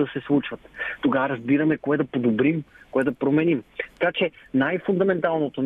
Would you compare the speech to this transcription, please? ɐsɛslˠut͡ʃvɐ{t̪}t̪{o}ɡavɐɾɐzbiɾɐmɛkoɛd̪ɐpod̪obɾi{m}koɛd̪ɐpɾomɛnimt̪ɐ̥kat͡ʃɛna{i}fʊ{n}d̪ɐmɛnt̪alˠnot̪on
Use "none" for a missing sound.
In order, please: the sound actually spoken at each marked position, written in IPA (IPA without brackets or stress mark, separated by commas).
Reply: t̪, o, m, j, n